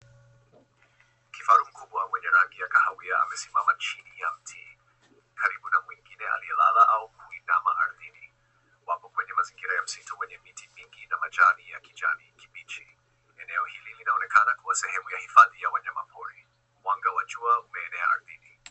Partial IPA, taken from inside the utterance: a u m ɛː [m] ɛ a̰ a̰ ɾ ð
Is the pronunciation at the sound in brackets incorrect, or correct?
incorrect